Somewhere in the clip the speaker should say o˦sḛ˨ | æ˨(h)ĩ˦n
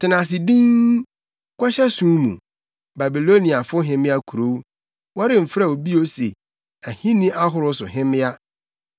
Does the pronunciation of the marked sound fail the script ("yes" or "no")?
no